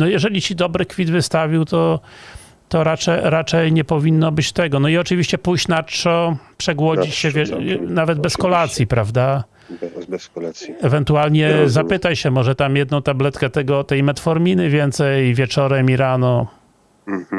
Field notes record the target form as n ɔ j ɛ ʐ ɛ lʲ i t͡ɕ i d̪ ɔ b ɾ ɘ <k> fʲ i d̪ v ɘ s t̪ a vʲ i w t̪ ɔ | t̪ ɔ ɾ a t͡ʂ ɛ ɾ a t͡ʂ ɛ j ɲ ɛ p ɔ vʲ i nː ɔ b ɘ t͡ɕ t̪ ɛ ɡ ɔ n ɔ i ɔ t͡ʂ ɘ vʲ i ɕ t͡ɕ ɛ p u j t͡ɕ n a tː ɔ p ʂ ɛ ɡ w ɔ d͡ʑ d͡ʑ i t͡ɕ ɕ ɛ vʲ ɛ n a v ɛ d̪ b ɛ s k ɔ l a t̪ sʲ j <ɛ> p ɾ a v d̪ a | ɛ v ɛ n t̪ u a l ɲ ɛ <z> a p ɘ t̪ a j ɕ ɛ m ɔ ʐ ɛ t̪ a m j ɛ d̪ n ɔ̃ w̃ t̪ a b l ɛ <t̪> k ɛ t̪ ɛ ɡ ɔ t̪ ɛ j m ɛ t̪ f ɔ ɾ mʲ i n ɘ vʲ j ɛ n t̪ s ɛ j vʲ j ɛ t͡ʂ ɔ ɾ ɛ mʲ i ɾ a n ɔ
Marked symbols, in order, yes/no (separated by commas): yes, no, yes, yes